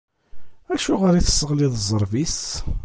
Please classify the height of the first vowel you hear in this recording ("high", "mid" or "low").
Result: low